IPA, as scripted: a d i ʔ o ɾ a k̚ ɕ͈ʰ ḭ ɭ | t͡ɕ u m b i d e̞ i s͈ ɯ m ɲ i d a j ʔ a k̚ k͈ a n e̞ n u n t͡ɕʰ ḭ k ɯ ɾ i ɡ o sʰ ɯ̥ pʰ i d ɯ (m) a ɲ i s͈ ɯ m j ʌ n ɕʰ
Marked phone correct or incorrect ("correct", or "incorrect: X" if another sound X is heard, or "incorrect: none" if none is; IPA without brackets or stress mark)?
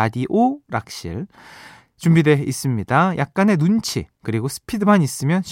correct